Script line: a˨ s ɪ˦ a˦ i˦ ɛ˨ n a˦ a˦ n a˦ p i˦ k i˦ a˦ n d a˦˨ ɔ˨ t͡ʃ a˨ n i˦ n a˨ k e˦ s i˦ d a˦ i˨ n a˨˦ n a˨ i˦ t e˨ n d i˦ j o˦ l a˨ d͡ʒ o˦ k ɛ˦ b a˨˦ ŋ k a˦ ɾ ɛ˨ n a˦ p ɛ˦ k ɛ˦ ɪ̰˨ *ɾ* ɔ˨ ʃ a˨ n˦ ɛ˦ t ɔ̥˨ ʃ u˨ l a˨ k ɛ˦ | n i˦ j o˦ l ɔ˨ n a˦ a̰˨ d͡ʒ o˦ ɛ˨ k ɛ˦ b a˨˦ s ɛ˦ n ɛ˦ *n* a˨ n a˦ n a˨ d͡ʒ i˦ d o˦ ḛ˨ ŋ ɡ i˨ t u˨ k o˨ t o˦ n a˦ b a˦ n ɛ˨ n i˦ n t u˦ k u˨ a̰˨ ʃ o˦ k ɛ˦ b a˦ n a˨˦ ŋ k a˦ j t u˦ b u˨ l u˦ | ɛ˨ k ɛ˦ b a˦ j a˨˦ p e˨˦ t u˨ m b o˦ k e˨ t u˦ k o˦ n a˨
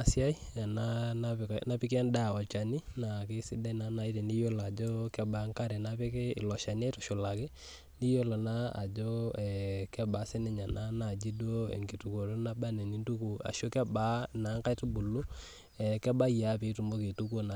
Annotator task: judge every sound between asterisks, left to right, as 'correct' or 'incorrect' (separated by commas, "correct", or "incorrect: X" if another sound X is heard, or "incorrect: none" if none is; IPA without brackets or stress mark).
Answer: incorrect: l, incorrect: ɲ